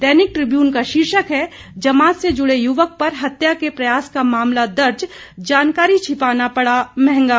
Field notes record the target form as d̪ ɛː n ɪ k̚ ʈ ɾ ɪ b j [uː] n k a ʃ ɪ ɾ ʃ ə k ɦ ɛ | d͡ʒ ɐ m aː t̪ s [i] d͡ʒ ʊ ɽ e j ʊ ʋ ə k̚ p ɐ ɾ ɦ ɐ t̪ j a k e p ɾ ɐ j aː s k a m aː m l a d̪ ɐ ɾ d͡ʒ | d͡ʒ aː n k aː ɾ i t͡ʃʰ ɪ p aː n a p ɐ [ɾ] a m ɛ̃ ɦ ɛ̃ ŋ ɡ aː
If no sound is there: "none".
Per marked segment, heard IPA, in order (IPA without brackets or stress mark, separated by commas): uː, e, ɽ